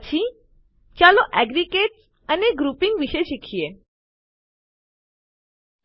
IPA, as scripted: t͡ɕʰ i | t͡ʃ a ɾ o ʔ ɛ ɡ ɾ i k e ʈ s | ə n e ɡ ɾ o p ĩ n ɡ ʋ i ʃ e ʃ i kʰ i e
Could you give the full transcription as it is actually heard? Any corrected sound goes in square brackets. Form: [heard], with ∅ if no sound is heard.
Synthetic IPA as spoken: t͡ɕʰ i | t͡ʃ a [l] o ʔ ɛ ɡ ɾ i k e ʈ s | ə n e ɡ ɾ [u] p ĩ [ŋ] ɡ ʋ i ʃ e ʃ i kʰ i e